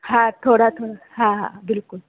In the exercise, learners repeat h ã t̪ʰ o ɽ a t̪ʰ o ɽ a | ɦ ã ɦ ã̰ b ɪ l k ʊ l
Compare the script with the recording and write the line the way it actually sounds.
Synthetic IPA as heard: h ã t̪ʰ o ɽ a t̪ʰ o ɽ a | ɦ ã ɦ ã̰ b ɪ l k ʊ l